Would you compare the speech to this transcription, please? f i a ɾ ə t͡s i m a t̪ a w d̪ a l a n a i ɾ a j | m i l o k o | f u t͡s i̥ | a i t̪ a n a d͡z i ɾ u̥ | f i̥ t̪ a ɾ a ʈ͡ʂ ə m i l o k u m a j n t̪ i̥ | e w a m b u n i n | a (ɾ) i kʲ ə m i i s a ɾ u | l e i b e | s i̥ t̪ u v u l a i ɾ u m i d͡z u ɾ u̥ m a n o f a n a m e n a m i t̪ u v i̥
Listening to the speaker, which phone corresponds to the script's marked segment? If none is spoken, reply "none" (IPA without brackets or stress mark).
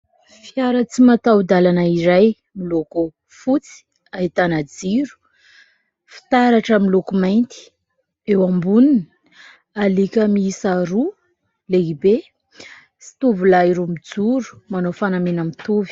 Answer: l